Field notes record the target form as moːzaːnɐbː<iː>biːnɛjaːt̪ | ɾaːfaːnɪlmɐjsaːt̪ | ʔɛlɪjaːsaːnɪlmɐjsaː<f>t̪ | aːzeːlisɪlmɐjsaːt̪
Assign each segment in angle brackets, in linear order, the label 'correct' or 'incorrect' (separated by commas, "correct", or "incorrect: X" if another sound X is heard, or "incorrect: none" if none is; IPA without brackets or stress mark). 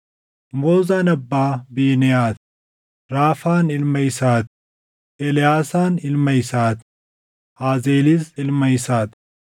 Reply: incorrect: aː, incorrect: none